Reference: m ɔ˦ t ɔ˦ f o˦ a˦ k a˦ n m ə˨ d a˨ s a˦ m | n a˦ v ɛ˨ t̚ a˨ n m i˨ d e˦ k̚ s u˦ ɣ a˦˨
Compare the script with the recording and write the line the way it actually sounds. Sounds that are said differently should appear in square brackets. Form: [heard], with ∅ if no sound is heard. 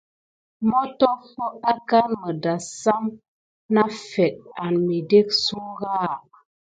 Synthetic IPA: m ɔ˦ t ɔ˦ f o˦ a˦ k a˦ n m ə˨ d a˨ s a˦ m | n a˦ [f] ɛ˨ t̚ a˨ n m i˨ d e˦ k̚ s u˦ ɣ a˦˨